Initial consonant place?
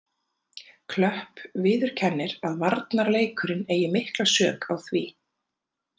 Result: velar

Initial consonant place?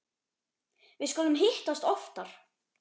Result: labial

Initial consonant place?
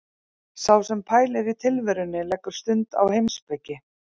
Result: alveolar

